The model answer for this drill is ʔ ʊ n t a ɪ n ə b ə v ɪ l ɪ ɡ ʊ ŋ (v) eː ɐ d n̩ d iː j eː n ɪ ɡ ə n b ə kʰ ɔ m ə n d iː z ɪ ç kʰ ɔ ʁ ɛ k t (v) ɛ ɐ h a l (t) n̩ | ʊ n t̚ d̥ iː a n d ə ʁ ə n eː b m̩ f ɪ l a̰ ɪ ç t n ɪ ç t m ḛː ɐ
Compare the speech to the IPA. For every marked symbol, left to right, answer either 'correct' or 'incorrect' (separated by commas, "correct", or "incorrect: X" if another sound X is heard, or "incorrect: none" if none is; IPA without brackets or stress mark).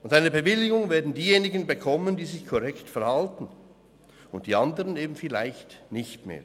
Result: correct, incorrect: f, correct